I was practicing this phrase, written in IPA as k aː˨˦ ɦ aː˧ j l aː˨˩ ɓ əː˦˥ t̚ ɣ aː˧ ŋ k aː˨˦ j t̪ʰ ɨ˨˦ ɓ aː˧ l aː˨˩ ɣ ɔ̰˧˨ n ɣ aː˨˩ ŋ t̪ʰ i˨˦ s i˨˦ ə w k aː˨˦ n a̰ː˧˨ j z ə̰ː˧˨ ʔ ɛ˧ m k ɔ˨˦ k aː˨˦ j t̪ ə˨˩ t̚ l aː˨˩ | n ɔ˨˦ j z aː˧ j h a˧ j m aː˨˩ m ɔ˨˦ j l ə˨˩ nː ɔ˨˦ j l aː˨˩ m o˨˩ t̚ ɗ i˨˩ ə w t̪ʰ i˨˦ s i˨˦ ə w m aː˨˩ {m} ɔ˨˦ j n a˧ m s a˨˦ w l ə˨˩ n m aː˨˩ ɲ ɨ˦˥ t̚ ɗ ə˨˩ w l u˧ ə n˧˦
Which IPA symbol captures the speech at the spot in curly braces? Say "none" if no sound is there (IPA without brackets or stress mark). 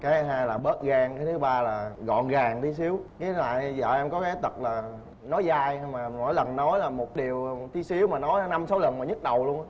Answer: n